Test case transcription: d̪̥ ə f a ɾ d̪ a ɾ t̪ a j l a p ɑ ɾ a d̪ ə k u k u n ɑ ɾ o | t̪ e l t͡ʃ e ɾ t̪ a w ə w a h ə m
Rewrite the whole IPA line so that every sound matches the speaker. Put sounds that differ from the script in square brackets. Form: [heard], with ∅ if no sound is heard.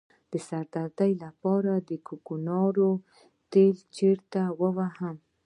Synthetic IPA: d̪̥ ə [s] a ɾ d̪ a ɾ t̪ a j l a p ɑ ɾ a d̪ ə k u k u n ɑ ɾ o | t̪ e l t͡ʃ e ɾ t̪ a w ə w a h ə m